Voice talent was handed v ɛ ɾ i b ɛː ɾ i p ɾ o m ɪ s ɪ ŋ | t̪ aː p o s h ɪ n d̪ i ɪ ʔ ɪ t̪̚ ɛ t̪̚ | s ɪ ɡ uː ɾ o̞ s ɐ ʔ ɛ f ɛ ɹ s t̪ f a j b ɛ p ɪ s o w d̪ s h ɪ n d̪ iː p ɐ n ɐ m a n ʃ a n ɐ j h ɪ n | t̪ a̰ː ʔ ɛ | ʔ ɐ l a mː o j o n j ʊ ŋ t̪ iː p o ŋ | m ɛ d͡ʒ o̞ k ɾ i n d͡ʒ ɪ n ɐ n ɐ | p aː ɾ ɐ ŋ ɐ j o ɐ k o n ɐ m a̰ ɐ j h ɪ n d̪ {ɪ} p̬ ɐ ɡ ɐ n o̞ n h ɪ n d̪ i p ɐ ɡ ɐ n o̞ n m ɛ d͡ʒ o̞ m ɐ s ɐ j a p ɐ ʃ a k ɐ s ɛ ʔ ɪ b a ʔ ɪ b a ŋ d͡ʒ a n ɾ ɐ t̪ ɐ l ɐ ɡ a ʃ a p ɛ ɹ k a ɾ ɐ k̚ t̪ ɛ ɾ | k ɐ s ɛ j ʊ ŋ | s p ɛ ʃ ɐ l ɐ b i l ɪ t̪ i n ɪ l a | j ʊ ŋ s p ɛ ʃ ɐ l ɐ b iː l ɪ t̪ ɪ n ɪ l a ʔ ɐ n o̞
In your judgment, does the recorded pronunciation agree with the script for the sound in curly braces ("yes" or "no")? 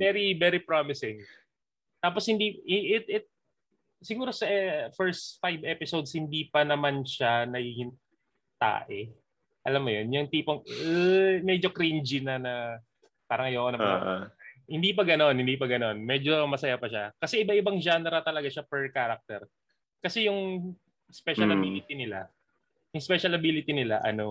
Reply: no